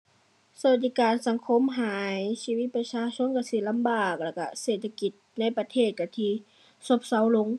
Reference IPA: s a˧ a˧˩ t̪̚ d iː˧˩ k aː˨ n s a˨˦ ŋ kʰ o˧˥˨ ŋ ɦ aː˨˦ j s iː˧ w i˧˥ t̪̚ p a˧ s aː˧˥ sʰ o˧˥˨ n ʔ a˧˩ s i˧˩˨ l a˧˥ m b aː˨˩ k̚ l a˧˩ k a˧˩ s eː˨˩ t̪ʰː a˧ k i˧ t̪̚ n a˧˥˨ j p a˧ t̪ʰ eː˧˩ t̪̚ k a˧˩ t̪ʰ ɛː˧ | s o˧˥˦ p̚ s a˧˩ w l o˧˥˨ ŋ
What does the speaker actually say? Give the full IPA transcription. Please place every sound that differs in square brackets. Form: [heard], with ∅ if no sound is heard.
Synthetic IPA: s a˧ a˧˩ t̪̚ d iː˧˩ k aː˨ n s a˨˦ ŋ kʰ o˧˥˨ [m] ɦ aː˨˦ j s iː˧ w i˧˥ t̪̚ p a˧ s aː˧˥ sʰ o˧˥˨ n [k] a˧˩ s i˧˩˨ l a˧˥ m b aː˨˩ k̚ l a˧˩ k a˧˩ s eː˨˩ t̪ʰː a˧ k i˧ t̪̚ n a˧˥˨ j p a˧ t̪ʰ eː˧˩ t̪̚ k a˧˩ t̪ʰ [iː˧] | s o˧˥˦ p̚ s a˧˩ w l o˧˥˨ ŋ